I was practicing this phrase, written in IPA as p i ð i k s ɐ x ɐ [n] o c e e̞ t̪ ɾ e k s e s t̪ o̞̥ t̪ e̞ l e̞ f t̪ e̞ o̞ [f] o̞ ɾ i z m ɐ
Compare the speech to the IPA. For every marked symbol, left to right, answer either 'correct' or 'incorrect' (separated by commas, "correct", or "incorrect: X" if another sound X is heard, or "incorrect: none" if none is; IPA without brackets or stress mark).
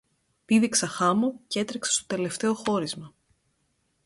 incorrect: m, incorrect: x